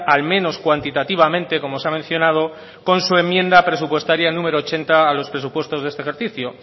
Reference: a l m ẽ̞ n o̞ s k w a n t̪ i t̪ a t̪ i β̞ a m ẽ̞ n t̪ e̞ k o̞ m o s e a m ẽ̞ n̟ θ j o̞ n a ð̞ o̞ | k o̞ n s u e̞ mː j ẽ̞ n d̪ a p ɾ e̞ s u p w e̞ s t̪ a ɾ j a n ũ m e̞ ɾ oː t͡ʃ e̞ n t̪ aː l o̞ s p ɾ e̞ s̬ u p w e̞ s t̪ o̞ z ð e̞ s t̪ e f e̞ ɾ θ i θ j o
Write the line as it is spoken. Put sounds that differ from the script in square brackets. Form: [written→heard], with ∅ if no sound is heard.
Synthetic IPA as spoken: a l m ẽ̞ n o̞ s k w a n t̪ i t̪ a t̪ i β̞ a m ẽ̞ n t̪ e̞ k o̞ m o s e a m ẽ̞ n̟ θ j o̞ n a ð̞ o̞ | k o̞ n s u e̞ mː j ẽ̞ n d̪ a p ɾ e̞ s u p w e̞ s t̪ a ɾ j a n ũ m e̞ ɾ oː t͡ʃ e̞ n t̪ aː l o̞ s p ɾ e̞ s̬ u p w e̞ s t̪ o̞ z ð e̞ s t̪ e [f→x] e̞ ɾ θ i θ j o

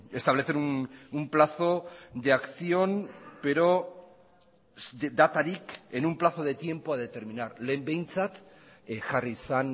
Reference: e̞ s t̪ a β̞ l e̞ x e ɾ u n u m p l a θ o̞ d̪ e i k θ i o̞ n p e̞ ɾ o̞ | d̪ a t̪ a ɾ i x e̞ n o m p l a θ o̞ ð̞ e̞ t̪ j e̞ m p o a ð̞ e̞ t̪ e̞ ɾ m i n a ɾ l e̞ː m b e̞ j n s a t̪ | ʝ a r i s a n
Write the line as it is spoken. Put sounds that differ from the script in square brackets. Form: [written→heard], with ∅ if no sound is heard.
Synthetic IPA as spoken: e̞ s t̪ a β̞ l e̞ [x→θ] e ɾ u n u m p l a θ o̞ d̪ e [i→a] k θ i o̞ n p e̞ ɾ o̞ | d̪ a t̪ a ɾ i [x→k] e̞ n [o→u] m p l a θ o̞ ð̞ e̞ t̪ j e̞ m p o a ð̞ e̞ t̪ e̞ ɾ m i n a ɾ l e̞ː m b e̞ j n [s→t͡s] a t̪ | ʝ a r i s a n

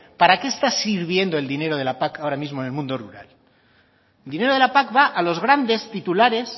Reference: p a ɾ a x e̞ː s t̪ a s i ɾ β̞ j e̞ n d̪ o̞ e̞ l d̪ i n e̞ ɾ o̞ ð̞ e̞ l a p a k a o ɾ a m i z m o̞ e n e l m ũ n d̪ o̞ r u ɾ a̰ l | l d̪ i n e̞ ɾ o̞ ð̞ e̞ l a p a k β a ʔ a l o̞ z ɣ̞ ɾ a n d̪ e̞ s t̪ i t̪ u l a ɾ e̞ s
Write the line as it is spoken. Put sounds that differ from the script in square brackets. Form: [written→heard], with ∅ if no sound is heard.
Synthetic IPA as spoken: p a ɾ a [x→k] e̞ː s t̪ a s i ɾ β̞ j e̞ n d̪ o̞ e̞ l d̪ i n e̞ ɾ o̞ ð̞ e̞ l a p a k a o ɾ a m i z m o̞ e n e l m ũ n d̪ o̞ r u ɾ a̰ l | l d̪ i n e̞ ɾ o̞ ð̞ e̞ l a p a k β a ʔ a l o̞ z ɣ̞ ɾ a n d̪ e̞ s t̪ i t̪ u l a ɾ e̞ s

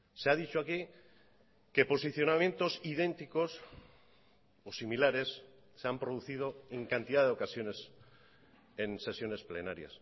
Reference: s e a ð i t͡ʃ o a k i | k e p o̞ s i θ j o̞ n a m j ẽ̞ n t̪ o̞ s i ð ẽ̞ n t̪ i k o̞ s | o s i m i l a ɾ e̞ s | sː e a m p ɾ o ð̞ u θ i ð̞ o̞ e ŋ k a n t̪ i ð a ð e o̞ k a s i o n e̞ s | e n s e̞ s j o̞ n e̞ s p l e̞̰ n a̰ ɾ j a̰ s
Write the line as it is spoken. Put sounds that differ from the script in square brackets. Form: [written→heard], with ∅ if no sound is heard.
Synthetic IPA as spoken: s e a ð i t͡ʃ o a k i | k e p o̞ s i θ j o̞ n a m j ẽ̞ n t̪ o̞ s i ð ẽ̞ n t̪ i k o̞ s | o s i m i l a ɾ e̞ s | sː e a m p ɾ o ð̞ u θ i ð̞ o̞ e ŋ k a n t̪ i ð a ð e o̞ k a s [i→j] o n e̞ s | e n s e̞ s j o̞ n e̞ s p l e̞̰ n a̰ ɾ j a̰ s

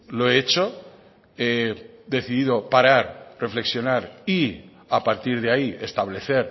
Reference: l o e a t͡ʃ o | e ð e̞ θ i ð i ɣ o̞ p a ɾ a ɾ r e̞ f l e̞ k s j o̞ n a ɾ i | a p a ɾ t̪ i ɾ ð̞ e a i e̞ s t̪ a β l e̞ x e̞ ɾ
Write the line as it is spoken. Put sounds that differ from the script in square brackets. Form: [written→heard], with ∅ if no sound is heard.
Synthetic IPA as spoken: l o e [a→e] t͡ʃ o | e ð e̞ θ i ð i [ɣ→ð] o̞ p a ɾ a ɾ r e̞ f l e̞ k s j o̞ n a ɾ i | a p a ɾ t̪ i ɾ ð̞ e a i e̞ s t̪ a β l e̞ [x→θ] e̞ ɾ

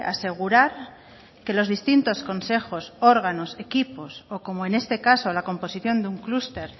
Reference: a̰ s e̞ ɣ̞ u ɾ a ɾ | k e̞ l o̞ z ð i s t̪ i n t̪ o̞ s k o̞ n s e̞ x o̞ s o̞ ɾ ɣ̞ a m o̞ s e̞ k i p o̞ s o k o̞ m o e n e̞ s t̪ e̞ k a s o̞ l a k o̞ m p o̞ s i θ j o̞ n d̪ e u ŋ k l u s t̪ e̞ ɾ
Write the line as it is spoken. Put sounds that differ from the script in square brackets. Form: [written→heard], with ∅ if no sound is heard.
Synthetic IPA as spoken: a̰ s e̞ ɣ̞ u ɾ a ɾ | k e̞ l o̞ z ð i s t̪ i n t̪ o̞ s k o̞ n s e̞ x o̞ s o̞ ɾ ɣ̞ a [m→n] o̞ s e̞ k i p o̞ s o k o̞ m o e n e̞ s t̪ e̞ k a s o̞ l a k o̞ m p o̞ s i θ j o̞ n d̪ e u ŋ k l u s t̪ e̞ ɾ

